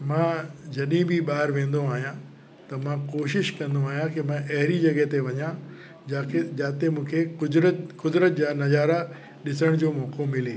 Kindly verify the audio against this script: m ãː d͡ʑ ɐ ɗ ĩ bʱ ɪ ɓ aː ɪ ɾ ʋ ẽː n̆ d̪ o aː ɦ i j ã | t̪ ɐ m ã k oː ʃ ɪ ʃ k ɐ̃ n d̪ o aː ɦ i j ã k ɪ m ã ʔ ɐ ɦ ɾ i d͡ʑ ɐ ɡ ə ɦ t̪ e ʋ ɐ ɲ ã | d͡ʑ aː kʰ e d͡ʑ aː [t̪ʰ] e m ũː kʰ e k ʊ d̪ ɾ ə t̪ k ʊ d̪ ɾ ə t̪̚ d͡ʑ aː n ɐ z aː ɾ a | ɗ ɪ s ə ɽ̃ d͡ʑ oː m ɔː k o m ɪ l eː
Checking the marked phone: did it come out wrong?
yes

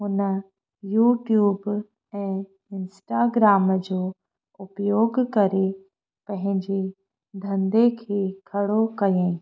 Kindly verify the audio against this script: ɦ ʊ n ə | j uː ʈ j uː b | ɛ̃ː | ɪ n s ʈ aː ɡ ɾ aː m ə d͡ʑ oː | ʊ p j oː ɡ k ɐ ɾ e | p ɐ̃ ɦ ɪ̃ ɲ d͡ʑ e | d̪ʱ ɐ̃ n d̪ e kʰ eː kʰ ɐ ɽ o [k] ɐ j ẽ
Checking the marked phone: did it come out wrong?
no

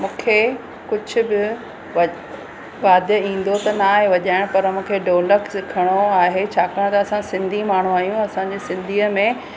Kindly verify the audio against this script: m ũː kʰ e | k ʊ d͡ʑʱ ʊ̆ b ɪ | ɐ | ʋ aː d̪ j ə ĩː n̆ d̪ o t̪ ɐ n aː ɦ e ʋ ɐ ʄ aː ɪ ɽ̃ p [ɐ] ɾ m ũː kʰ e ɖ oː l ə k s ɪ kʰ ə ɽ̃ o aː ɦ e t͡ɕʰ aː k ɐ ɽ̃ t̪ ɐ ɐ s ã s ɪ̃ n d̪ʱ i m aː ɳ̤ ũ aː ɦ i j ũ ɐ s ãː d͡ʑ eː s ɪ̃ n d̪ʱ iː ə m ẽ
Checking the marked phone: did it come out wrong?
no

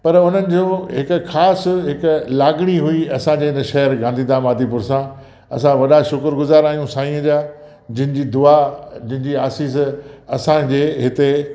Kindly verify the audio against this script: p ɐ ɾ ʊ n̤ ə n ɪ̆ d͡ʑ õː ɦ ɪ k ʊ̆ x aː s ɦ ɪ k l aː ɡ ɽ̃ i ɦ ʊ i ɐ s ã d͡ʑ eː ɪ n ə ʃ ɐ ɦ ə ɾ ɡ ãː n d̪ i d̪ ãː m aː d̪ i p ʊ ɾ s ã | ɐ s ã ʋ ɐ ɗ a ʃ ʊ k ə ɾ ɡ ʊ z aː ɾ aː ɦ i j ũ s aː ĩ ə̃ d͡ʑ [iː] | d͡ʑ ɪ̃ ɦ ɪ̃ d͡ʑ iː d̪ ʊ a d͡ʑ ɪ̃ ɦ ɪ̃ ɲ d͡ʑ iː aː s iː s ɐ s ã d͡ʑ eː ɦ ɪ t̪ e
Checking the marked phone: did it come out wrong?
yes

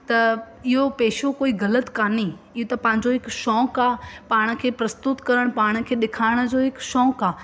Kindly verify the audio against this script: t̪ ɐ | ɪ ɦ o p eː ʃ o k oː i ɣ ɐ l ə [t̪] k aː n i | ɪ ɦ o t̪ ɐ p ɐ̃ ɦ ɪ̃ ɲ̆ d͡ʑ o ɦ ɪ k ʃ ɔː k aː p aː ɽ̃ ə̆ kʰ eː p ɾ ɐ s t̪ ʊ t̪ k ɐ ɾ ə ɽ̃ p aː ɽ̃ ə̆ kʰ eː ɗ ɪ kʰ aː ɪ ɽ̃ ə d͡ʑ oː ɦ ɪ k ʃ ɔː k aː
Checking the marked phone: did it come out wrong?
no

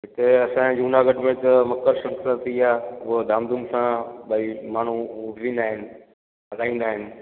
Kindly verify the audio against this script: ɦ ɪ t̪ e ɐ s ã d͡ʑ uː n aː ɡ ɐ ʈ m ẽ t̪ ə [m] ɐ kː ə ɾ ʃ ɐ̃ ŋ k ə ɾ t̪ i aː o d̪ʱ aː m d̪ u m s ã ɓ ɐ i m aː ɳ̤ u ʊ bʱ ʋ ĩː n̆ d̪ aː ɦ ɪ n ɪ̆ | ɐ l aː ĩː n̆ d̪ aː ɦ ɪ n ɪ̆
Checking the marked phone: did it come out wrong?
no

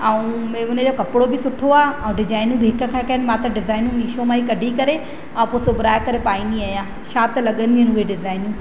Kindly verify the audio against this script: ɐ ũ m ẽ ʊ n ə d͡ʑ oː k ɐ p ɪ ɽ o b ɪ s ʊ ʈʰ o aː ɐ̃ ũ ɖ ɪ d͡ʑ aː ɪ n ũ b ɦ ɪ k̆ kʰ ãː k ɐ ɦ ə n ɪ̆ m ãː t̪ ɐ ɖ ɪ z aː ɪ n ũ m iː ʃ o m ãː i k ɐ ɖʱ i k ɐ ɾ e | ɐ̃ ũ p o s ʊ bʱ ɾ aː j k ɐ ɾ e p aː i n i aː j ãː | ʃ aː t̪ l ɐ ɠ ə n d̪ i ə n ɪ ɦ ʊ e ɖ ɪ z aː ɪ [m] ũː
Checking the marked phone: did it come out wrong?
yes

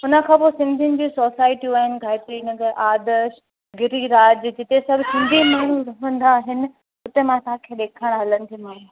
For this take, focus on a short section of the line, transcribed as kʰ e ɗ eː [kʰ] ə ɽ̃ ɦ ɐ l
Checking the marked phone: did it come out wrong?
no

